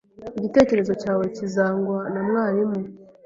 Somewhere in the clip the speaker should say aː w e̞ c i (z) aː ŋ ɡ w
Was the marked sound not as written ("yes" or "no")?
no